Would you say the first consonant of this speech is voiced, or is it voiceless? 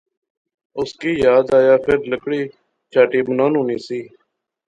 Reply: voiceless